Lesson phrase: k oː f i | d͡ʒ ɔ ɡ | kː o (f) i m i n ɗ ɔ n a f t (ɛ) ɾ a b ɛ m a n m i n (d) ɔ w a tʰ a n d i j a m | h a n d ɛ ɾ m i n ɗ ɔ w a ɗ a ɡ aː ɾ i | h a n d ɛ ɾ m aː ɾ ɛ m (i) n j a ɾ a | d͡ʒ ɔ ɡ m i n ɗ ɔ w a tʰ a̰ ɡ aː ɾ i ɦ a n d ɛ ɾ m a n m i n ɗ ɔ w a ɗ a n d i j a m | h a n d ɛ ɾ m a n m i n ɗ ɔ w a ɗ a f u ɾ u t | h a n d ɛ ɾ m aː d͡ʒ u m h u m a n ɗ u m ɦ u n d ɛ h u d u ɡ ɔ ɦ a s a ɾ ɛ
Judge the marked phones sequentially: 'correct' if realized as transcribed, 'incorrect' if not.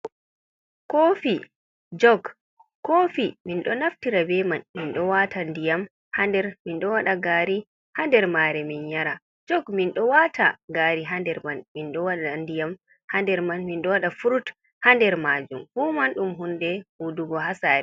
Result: correct, incorrect, incorrect, correct

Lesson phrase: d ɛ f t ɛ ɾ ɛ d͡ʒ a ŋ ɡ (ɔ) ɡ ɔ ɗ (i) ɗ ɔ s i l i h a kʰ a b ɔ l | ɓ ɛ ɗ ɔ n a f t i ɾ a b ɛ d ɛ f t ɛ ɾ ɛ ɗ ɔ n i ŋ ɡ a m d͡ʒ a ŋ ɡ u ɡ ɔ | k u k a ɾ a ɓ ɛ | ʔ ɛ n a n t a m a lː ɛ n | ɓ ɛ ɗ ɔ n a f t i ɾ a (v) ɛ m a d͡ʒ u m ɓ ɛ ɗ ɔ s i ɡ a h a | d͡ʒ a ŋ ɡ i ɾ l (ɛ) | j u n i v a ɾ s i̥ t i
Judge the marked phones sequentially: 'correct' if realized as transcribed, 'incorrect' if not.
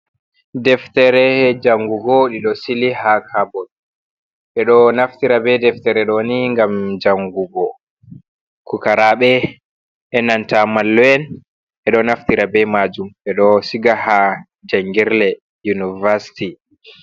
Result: incorrect, correct, incorrect, correct

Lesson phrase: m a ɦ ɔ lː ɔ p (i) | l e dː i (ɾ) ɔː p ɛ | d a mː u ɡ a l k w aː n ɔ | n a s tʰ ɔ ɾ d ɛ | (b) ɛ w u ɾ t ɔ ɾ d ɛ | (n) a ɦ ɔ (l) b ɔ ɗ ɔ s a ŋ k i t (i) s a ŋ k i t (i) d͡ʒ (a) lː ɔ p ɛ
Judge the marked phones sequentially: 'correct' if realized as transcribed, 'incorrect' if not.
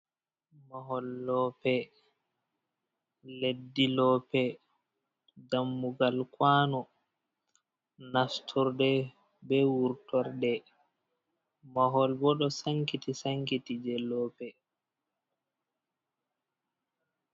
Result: incorrect, incorrect, correct, incorrect, correct, correct, correct, incorrect

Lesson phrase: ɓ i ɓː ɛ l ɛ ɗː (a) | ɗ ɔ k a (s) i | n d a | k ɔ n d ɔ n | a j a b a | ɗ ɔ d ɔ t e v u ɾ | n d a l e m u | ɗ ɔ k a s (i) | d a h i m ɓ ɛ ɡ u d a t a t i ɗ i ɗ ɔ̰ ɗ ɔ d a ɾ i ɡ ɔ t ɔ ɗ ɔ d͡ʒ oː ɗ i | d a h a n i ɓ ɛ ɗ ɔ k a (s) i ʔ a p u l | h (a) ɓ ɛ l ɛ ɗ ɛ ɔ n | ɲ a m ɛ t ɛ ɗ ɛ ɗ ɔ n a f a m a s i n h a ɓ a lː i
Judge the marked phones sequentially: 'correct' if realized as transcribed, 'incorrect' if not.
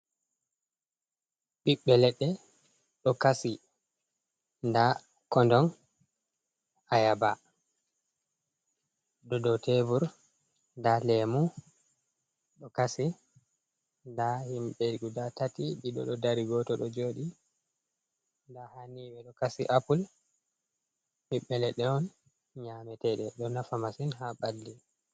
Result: incorrect, correct, correct, correct, incorrect

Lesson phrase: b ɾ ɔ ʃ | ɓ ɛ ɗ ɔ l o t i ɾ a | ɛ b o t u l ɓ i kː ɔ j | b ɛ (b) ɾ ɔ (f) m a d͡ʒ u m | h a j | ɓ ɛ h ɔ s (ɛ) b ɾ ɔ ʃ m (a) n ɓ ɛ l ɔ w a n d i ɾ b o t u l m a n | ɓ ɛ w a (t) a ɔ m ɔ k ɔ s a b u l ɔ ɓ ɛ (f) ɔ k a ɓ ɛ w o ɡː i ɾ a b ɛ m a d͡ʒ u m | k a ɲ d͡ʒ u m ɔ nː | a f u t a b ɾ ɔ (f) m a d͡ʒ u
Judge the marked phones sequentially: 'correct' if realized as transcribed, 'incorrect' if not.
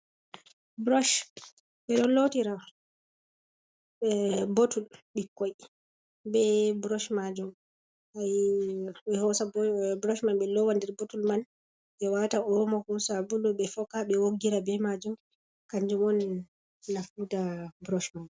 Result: correct, incorrect, incorrect, correct, correct, correct, incorrect

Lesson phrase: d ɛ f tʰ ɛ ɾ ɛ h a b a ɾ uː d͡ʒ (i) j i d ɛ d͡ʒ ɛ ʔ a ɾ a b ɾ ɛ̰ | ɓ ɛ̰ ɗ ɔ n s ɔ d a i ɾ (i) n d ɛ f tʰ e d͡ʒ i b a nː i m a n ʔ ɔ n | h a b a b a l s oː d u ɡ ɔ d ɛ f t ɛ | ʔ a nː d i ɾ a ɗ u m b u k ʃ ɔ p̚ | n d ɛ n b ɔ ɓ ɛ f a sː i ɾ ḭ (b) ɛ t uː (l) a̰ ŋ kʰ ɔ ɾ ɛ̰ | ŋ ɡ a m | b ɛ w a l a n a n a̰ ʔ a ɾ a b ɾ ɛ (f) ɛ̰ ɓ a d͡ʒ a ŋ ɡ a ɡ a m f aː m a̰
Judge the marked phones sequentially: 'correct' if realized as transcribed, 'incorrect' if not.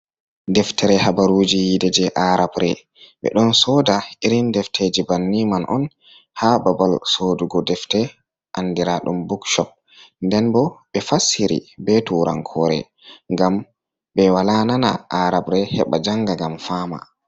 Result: correct, correct, correct, incorrect, incorrect

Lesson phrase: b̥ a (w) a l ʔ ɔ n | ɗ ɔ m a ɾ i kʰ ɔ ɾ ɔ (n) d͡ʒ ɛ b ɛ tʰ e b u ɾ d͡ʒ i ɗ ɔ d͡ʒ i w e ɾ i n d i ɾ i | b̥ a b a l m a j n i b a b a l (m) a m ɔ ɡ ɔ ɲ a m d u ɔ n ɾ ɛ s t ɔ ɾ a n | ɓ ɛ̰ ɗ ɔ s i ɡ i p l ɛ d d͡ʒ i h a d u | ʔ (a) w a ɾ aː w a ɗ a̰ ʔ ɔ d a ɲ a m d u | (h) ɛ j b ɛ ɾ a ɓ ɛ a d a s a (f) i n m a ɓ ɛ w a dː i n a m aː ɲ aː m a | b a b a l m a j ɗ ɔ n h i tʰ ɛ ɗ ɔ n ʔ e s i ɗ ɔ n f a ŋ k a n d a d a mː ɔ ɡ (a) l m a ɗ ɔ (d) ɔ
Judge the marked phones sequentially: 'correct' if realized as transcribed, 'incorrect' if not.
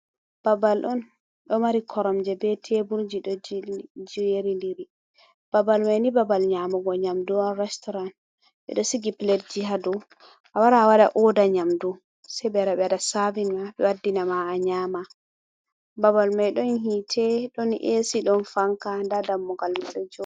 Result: incorrect, incorrect, incorrect, correct, incorrect, incorrect, correct, incorrect

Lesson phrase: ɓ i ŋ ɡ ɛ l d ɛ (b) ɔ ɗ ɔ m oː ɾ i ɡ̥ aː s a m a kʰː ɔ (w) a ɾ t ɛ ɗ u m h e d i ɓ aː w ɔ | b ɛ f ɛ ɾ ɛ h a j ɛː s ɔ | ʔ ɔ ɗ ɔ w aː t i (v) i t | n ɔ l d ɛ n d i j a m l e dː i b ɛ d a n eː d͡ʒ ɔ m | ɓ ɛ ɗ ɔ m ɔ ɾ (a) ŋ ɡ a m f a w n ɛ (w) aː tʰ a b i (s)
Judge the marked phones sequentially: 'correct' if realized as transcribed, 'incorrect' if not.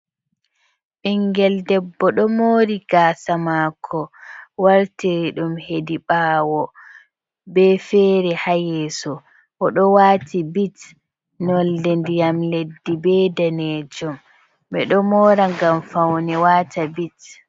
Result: incorrect, correct, incorrect, correct, correct, incorrect

